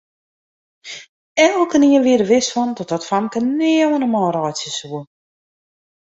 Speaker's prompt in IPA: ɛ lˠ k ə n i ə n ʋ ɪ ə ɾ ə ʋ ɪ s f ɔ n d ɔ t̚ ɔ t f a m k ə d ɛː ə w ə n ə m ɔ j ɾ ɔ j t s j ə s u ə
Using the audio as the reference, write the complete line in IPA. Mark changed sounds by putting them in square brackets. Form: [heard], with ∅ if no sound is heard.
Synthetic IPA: ɛ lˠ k ə n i ə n ʋ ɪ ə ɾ ə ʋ ɪ s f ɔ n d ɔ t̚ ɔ t f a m k ə [n] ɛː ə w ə n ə m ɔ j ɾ ɔ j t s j ə s u ə